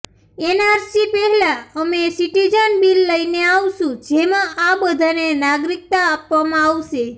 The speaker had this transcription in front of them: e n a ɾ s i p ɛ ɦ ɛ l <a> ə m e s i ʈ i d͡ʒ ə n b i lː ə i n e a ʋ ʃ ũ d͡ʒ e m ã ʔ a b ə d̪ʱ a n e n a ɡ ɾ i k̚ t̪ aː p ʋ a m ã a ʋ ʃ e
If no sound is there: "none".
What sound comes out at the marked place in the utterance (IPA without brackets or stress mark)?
a